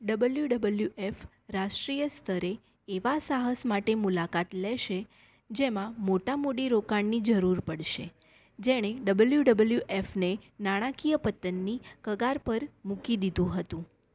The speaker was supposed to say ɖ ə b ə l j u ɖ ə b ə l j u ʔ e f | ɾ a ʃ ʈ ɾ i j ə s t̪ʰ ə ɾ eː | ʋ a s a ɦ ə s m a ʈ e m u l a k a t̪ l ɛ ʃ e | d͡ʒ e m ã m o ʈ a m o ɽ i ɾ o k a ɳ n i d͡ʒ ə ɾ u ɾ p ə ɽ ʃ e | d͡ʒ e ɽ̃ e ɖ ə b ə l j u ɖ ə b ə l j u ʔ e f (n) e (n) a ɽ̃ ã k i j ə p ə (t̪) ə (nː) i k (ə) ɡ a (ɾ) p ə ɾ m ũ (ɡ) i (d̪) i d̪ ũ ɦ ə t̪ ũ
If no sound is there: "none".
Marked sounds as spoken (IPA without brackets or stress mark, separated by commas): n, n, t̪, nː, ə, ɾ, k, d̪